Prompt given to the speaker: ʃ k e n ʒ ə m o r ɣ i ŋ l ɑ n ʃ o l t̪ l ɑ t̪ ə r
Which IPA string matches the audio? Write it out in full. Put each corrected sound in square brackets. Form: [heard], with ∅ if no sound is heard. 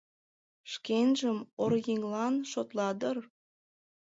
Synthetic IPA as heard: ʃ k e n ʒ ə m o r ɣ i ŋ l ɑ n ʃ o [∅] t̪ l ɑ [d̪] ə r